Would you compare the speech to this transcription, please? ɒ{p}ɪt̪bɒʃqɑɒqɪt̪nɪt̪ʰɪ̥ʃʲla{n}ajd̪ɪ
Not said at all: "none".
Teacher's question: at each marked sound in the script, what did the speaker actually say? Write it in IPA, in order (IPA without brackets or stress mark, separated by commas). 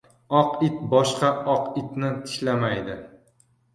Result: q, m